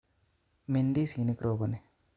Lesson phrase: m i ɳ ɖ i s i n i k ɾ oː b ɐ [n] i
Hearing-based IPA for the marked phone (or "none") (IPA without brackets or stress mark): n